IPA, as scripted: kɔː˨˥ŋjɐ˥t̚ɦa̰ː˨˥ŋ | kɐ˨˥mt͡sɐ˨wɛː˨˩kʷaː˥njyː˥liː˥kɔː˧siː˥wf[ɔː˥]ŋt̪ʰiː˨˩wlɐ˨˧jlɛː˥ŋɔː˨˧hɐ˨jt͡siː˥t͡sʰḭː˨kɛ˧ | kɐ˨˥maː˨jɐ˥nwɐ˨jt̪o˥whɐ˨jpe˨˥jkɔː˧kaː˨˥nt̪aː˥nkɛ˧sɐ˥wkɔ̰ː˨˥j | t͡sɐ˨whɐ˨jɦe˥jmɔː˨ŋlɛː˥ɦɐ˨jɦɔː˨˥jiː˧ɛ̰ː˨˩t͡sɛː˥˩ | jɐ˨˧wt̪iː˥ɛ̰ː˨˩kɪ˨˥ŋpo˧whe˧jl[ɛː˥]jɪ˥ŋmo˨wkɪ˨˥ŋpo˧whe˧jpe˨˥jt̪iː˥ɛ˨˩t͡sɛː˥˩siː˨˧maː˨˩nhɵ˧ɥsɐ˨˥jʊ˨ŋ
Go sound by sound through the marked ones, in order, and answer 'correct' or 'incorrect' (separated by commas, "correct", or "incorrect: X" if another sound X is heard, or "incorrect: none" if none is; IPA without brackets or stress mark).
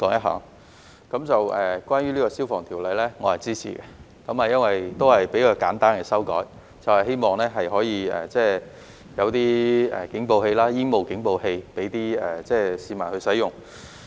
incorrect: ɔː˨, incorrect: aː˥